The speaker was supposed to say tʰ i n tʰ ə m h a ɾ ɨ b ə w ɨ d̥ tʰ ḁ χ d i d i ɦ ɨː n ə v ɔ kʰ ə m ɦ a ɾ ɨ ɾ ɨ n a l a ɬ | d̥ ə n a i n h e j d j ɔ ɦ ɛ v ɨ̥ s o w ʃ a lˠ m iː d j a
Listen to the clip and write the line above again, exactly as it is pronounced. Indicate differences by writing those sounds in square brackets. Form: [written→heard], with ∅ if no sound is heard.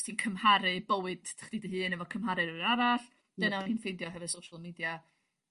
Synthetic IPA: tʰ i n [tʰ→kʰ] ə m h a ɾ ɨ b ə w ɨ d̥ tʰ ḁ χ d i d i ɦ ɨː n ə v ɔ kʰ ə m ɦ a ɾ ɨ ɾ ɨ n a [l→ɾ] a ɬ | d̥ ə n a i n [h→f] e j d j ɔ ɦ ɛ v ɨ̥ s o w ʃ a lˠ m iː d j a